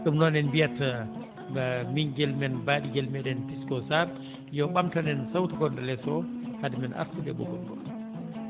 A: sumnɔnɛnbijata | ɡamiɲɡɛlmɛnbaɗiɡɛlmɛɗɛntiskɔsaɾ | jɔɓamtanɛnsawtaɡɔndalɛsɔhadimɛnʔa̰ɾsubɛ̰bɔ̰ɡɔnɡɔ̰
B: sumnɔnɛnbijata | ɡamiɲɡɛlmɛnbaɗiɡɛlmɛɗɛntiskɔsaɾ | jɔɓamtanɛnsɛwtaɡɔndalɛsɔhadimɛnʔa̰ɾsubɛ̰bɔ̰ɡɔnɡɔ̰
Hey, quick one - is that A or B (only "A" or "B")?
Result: A